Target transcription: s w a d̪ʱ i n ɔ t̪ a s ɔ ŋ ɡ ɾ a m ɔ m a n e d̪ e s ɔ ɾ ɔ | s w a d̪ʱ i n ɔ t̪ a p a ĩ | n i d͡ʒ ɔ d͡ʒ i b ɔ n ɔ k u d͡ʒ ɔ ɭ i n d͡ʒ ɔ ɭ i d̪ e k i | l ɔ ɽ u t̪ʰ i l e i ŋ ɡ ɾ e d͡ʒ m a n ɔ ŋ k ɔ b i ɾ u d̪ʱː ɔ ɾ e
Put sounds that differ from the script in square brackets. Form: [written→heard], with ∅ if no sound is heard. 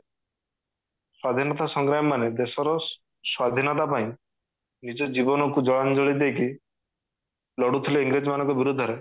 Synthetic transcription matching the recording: s w a d̪ʱ i n ɔ t̪ a s ɔ ŋ ɡ ɾ a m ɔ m a n e d̪ e s ɔ ɾ ɔ | s w a d̪ʱ i n ɔ t̪ a p a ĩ | n i d͡ʒ ɔ d͡ʒ i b ɔ n ɔ k u d͡ʒ ɔ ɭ [i→a] n d͡ʒ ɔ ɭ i d̪ e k i | l ɔ ɽ u t̪ʰ i l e i ŋ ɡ ɾ e d͡ʒ m a n ɔ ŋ k ɔ b i ɾ u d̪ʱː ɔ ɾ e